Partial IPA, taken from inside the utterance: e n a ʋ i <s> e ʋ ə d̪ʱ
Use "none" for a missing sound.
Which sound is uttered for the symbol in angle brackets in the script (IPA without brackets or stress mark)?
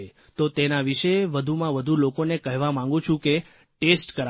ʃ